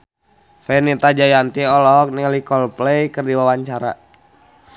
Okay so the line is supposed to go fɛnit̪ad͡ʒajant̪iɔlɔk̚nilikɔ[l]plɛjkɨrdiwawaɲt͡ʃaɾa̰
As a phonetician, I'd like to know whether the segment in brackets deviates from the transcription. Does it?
no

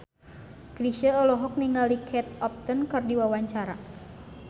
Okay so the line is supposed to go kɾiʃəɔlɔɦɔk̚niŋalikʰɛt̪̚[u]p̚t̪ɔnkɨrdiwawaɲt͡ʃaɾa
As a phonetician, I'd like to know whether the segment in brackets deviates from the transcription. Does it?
yes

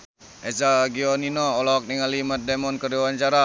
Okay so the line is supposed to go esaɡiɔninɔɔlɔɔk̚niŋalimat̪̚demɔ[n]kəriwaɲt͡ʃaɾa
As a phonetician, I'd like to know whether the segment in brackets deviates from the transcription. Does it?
no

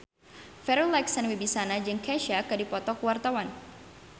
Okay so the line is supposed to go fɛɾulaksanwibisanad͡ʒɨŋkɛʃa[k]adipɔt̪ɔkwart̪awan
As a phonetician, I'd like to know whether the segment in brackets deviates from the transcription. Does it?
no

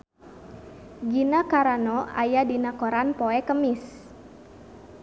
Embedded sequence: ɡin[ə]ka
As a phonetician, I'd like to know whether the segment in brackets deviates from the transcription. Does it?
yes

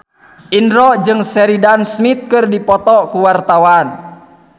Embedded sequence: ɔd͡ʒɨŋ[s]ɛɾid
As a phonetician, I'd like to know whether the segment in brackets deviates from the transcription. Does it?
no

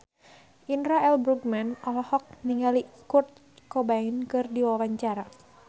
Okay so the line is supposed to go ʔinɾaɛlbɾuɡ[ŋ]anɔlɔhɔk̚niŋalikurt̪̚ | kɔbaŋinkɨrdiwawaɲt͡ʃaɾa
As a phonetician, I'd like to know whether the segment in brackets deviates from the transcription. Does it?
yes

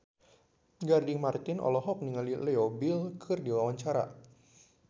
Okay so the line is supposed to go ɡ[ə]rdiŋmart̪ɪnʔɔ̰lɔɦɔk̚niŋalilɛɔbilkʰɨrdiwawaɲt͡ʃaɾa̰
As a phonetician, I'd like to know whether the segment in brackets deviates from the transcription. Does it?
yes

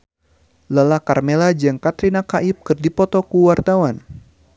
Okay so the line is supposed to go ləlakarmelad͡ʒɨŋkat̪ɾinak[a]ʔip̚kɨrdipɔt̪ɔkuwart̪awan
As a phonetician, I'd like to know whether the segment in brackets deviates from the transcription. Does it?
no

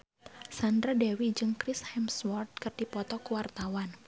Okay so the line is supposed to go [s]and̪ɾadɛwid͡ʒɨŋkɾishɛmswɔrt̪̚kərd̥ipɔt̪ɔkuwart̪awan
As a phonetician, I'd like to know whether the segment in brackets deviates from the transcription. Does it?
no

